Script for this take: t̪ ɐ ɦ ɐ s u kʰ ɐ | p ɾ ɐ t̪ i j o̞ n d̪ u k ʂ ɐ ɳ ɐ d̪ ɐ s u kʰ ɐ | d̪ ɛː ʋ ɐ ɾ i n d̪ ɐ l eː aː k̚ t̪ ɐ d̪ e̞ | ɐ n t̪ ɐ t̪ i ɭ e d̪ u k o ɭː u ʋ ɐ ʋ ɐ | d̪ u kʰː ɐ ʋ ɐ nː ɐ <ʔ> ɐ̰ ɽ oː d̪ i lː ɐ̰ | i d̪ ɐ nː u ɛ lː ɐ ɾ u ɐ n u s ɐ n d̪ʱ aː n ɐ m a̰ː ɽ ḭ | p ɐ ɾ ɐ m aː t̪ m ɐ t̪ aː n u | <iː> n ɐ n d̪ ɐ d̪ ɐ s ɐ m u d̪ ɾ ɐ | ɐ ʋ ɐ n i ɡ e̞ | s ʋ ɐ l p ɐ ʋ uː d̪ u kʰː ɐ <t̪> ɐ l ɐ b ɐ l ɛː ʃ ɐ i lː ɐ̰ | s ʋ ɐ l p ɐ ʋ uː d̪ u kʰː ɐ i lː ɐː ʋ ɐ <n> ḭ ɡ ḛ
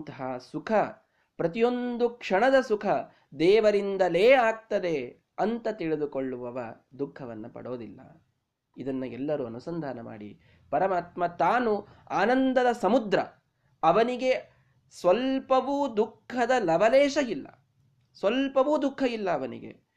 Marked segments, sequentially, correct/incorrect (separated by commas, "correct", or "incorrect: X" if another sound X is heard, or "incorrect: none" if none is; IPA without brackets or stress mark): incorrect: p, incorrect: aː, incorrect: d̪, correct